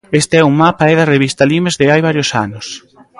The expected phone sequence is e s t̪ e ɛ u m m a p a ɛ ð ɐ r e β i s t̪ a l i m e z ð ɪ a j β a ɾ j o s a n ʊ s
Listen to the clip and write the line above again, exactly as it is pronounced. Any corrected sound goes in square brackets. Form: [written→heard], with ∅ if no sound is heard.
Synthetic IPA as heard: e s t̪ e ɛ u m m a p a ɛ ð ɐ r e β i s t̪ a l i m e z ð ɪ a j β a ɾ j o s a n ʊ s